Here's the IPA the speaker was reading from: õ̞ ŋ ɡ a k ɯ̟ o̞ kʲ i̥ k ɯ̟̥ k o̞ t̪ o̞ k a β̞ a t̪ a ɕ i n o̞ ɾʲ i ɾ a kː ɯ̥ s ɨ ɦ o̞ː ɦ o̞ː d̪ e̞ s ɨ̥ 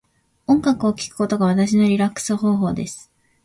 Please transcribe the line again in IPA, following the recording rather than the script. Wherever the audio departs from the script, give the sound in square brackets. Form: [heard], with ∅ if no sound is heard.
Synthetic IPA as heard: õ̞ ŋ ɡ a k ɯ̟ o̞ kʲ i̥ k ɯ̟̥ k o̞ t̪ o̞ [ɡ] a β̞ a t̪ a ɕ i n o̞ ɾʲ i ɾ a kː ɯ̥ s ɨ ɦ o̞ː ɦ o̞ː d̪ e̞ s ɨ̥

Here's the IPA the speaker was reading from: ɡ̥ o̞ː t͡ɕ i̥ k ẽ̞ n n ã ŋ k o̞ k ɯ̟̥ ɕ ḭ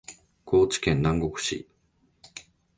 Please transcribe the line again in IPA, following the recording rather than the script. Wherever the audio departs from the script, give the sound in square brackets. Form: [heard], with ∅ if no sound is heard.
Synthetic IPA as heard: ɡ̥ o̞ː t͡ɕ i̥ k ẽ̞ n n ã ŋ [ɡ] o̞ k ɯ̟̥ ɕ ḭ

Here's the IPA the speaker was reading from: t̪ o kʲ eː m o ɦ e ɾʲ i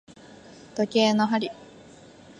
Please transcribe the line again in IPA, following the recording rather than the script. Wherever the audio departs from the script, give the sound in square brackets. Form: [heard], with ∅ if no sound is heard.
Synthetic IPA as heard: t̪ o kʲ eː [n] o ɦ [a] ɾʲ i

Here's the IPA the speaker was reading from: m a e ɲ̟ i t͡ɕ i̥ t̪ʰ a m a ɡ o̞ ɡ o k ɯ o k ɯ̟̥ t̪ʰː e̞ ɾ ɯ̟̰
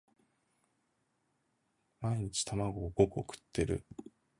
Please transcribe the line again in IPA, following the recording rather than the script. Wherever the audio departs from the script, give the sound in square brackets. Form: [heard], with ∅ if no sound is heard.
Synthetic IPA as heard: m a [i] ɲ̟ i t͡ɕ i̥ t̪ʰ a m a ɡ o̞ ɡ o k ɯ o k ɯ̟̥ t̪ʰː e̞ ɾ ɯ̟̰

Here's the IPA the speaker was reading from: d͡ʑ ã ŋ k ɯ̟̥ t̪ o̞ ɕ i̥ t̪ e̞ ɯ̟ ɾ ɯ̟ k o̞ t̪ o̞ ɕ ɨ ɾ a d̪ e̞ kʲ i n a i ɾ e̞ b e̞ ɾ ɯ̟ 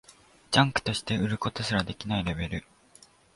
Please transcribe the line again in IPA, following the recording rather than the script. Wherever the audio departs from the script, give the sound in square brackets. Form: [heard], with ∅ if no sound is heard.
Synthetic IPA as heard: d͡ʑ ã ŋ k ɯ̟̥ t̪ o̞ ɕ i̥ t̪ e̞ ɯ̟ ɾ ɯ̟ k o̞ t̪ o̞ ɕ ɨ ɾ a d̪ e̞ kʲ i n a i ɾ e̞ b e̞ ɾ ɯ̟

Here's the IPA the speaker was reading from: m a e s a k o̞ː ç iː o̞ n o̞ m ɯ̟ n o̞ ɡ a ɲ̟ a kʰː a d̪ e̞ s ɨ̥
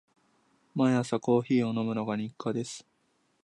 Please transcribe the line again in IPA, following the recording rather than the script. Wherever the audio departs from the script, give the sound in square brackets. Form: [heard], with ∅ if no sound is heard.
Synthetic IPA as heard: m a [a] s a k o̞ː ç iː o̞ n o̞ m ɯ̟ n o̞ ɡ a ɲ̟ [i] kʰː a d̪ e̞ s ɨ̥

